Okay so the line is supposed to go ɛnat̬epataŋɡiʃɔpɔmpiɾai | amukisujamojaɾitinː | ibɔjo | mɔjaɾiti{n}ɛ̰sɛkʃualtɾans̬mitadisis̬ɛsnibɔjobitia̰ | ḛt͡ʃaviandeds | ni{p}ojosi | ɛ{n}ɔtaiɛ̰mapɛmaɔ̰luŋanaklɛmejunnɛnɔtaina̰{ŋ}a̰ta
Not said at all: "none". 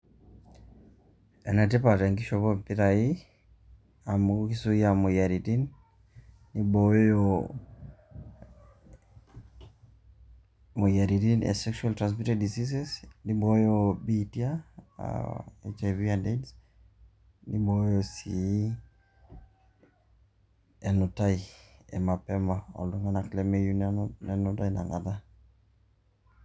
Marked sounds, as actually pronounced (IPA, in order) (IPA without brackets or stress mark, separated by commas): n, b, n, ŋ